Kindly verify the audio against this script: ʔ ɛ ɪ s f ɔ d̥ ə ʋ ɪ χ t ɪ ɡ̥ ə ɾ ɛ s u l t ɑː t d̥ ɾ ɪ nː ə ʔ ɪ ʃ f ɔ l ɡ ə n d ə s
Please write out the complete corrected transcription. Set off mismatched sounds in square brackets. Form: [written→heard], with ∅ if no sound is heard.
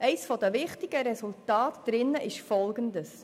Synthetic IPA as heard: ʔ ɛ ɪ s f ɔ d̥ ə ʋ ɪ χ t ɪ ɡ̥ ə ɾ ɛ s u l t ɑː t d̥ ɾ ɪ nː ə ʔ ɪ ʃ f ɔ l ɡ ə n d ə s